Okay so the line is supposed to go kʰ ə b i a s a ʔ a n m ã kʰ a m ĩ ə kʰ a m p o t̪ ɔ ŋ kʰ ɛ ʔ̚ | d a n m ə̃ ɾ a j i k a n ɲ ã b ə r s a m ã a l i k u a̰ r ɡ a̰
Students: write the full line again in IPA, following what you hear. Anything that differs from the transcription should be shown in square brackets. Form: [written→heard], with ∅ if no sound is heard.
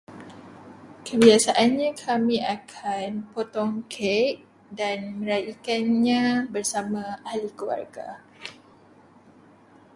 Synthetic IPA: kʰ ə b i a s a ʔ a n [m→ɲ] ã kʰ a m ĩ [ə→a] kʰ a [m→n] p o t̪ ɔ ŋ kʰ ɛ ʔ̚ | d a n m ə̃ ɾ a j i k a n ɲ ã b ə r s a m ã a l i k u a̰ r ɡ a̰